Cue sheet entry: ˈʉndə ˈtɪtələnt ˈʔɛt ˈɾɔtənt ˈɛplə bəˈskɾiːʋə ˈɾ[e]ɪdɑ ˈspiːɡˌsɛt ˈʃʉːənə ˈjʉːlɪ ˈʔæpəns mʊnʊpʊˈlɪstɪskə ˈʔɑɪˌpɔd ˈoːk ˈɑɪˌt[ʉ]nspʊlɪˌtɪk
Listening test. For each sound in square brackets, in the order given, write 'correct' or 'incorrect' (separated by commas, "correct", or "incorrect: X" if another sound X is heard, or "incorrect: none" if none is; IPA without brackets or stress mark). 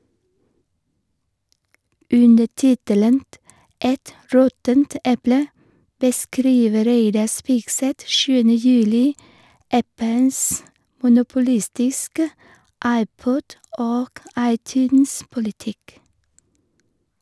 correct, incorrect: ʉː